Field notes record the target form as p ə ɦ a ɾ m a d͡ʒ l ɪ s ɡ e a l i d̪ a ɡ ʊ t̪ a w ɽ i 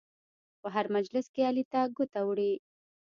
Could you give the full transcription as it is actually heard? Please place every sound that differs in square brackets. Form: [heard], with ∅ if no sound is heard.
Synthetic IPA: p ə ɦ a ɾ m a d͡ʒ l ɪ s [k] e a l i [t̪] a ɡ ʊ t̪ a w ɽ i

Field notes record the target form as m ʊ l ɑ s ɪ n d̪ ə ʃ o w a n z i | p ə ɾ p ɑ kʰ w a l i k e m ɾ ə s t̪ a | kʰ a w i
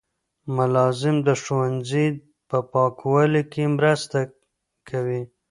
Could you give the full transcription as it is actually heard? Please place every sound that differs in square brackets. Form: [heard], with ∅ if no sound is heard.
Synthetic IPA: m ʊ l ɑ [z] ɪ [m] d̪ ə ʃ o w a n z i | p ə [∅] p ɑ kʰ w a l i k e m ɾ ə s t̪ a | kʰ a w i

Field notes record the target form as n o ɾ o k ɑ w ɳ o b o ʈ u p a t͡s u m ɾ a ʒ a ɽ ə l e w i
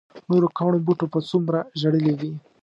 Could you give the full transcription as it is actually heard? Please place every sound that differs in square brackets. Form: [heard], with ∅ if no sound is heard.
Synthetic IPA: n o ɾ o k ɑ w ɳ o b [u] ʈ [o] p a t͡s u m ɾ a ʒ a ɽ ə l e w i

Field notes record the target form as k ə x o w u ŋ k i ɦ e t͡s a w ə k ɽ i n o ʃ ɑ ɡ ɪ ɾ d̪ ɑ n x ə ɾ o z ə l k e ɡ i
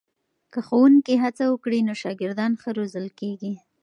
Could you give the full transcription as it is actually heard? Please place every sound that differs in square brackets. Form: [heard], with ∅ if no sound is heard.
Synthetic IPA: k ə x o w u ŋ k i ɦ [a] t͡s a w ə k ɽ i n o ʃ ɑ ɡ ɪ ɾ d̪ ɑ n x ə ɾ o z ə l k e ɡ i

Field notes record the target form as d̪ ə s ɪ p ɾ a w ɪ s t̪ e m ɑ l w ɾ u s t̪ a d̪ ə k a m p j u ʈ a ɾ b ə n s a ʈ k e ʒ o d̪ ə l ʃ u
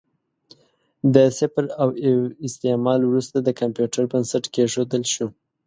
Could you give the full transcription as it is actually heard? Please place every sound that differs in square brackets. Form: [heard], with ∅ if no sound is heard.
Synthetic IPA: d̪ ə s ɪ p ɾ a w ɪ s t̪ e m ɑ l w ɾ u s t̪ a d̪ ə k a m p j u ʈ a ɾ b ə n s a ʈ k e ʒ o d̪ ə l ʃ u

